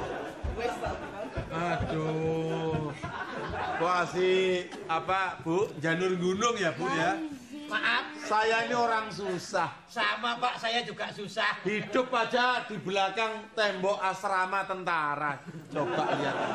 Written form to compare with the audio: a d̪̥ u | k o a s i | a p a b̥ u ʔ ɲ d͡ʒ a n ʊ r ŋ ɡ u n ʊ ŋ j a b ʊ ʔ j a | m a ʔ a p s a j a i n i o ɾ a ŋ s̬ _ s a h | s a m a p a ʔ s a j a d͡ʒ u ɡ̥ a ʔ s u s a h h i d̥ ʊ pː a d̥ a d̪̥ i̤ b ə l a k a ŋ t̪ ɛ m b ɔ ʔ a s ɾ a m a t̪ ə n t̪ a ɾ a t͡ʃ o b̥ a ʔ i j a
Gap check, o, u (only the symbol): u